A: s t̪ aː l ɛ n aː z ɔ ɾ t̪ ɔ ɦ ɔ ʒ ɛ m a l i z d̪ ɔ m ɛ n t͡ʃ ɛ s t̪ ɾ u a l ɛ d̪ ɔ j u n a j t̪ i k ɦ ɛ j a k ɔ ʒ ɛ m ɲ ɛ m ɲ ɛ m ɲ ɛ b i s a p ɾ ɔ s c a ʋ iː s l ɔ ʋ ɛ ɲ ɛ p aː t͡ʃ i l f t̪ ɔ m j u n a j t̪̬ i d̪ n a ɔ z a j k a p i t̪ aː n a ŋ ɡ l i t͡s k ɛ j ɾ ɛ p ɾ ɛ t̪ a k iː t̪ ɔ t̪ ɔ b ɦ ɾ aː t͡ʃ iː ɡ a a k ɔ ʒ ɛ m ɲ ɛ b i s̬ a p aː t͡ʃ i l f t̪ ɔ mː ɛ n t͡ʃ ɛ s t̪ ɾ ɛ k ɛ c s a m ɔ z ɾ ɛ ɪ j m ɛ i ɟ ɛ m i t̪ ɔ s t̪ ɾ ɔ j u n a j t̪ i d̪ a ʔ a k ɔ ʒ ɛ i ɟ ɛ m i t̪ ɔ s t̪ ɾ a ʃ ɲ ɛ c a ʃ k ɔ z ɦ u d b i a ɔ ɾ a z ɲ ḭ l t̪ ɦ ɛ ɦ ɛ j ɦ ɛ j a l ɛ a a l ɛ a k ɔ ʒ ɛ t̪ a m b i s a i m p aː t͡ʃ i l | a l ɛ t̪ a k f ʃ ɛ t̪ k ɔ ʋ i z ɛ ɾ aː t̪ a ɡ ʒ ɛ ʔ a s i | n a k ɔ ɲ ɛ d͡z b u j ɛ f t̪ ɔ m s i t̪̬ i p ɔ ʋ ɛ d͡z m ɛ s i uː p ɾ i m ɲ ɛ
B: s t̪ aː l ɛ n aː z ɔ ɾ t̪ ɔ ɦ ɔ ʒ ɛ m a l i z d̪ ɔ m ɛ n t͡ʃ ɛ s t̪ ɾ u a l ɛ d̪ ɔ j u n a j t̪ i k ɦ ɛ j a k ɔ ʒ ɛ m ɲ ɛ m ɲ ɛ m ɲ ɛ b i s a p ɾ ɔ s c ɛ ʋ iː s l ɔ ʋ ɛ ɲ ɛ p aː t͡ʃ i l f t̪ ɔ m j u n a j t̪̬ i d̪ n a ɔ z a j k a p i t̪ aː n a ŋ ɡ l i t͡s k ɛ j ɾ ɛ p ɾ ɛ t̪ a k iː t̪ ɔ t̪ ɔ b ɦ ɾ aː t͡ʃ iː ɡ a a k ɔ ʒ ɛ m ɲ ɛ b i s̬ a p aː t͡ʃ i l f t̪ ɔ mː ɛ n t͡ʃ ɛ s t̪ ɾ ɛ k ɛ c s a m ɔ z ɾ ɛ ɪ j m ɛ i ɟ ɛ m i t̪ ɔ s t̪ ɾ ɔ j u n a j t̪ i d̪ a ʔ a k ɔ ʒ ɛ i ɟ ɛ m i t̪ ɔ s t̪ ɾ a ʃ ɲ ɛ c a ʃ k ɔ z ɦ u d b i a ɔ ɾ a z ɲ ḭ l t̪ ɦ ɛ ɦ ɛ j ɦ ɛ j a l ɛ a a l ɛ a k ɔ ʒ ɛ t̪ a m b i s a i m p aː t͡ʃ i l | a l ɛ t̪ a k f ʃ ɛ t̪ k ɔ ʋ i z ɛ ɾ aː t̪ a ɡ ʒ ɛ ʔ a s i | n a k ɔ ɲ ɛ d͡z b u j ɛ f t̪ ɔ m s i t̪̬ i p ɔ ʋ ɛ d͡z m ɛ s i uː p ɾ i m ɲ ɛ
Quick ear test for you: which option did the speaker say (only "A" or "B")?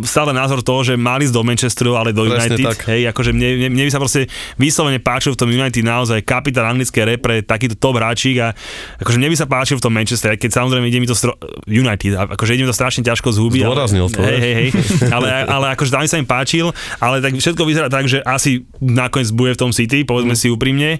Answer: B